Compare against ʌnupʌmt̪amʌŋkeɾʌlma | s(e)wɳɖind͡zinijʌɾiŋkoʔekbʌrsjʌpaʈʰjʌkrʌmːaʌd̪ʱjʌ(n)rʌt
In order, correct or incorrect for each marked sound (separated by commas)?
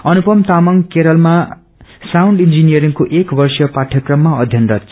incorrect, correct